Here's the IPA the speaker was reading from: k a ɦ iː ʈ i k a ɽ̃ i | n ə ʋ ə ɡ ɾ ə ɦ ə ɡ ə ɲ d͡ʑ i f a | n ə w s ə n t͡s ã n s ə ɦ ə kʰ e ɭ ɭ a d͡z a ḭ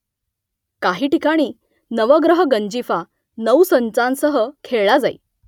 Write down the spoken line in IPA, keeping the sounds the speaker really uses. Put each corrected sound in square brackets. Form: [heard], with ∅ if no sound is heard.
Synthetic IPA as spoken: k a ɦ iː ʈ i k a ɽ̃ [iː] | n ə ʋ ə ɡ ɾ ə ɦ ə ɡ ə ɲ d͡ʑ i f a | n ə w s ə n t͡s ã n s ə ɦ ə kʰ e ɭ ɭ a d͡z a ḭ